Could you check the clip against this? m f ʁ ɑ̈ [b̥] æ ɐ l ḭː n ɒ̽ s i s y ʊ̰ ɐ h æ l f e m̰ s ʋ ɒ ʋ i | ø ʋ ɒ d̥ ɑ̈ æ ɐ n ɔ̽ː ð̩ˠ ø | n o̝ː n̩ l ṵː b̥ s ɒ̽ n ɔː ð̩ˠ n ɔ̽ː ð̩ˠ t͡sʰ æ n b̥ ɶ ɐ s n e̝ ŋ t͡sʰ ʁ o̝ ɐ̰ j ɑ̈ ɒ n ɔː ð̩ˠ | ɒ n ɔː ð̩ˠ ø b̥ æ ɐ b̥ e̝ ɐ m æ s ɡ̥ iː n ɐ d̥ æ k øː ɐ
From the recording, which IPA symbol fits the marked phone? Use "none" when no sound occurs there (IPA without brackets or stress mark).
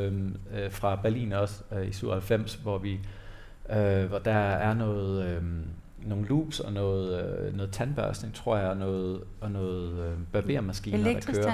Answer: b̥